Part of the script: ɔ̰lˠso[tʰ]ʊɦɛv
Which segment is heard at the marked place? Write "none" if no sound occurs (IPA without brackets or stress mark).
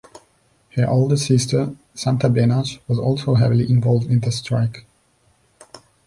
none